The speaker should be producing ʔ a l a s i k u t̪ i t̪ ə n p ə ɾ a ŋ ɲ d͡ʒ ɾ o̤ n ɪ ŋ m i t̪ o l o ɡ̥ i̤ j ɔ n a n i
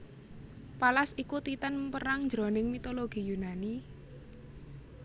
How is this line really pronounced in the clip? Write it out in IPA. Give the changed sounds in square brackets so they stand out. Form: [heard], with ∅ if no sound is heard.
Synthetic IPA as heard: [p] a l a s i k u t̪ i t̪ ə n p ə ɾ a ŋ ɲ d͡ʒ ɾ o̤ n ɪ ŋ m i t̪ o l o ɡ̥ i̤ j [u] n a n i